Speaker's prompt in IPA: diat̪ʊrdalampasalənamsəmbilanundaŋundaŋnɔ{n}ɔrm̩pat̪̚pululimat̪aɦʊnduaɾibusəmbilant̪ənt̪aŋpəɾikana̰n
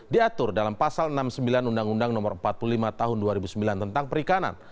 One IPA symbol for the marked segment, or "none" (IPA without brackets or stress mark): m